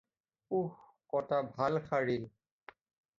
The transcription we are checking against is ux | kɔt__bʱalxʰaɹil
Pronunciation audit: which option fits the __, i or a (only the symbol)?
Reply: a